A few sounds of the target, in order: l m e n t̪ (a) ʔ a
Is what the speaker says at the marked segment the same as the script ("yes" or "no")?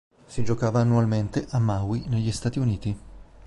no